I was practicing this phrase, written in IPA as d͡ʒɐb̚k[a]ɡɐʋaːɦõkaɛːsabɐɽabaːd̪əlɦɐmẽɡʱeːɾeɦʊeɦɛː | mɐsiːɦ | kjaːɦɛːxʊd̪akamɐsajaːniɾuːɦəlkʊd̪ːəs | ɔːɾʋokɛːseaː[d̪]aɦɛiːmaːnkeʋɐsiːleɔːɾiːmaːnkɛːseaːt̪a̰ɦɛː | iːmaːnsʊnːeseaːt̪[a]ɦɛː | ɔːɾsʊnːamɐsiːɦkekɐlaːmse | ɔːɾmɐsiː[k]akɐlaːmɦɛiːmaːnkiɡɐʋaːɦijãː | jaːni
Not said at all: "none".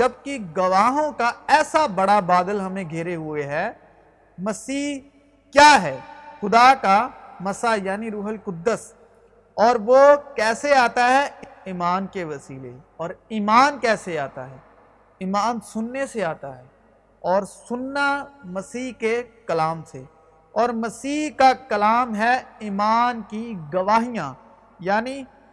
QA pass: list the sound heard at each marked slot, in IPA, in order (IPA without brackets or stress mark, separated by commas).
i, t̪, a, k